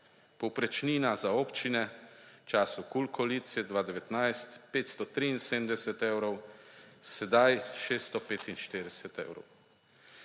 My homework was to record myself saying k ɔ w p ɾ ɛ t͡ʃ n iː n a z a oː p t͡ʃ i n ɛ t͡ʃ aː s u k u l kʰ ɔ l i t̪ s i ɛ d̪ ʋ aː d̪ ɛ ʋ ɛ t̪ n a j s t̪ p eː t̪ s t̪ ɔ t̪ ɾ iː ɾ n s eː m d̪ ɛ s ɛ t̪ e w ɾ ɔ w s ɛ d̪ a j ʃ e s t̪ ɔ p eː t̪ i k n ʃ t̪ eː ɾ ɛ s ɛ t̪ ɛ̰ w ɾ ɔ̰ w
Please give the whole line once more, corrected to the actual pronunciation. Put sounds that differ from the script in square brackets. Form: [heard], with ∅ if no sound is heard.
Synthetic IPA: [p] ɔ w p ɾ ɛ t͡ʃ n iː n a z a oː p t͡ʃ i n ɛ t͡ʃ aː s u k u l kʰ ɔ l i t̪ s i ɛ d̪ ʋ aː d̪ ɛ ʋ ɛ t̪ n a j s t̪ p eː t̪ s t̪ ɔ t̪ ɾ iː [∅] n s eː m d̪ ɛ s ɛ t̪ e w ɾ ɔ w s ɛ d̪ a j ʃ e s t̪ ɔ p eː t̪ i [∅] n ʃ t̪ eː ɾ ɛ s ɛ t̪ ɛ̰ w ɾ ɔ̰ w

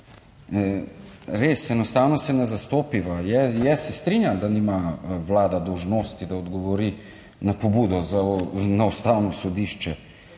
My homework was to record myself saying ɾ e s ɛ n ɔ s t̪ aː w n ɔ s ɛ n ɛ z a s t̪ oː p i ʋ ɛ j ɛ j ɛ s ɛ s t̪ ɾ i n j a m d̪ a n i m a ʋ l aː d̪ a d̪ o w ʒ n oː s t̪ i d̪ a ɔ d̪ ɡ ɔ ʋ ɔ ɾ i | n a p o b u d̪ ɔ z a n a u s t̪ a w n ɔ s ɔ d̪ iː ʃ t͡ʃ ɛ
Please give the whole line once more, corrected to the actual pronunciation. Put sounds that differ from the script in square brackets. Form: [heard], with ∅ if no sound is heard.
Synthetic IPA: ɾ e s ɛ n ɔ s t̪ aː w n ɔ s ɛ n ɛ z a s t̪ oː p i ʋ [a] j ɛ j ɛ s ɛ s t̪ ɾ i n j a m d̪ a n i m a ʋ l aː d̪ a d̪ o w ʒ n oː s t̪ i d̪ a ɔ d̪ ɡ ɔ ʋ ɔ ɾ i | n a p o b u d̪ ɔ z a n a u s t̪ a w n ɔ s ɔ d̪ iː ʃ t͡ʃ ɛ

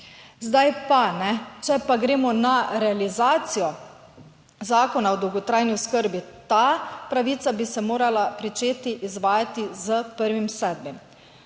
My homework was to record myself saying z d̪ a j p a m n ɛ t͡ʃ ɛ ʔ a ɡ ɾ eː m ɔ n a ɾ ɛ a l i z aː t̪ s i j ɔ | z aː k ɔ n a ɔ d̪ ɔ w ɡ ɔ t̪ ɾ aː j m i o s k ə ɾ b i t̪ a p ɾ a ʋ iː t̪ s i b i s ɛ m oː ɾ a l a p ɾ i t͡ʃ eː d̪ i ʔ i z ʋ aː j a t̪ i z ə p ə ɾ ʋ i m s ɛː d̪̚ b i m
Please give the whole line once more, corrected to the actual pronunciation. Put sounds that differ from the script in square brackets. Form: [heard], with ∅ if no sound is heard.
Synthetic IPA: z d̪ a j p a [∅] n ɛ t͡ʃ ɛ [p] a ɡ ɾ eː m ɔ n a ɾ ɛ a l i z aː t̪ s i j ɔ | z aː k ɔ n a ɔ d̪ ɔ w ɡ ɔ t̪ ɾ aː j [n] i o s k ə ɾ b i t̪ a p ɾ a ʋ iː t̪ s [a] b i s ɛ m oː ɾ a l a p ɾ i t͡ʃ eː [t̪] i ʔ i z ʋ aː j a t̪ i z ə p ə ɾ ʋ i m s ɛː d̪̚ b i m

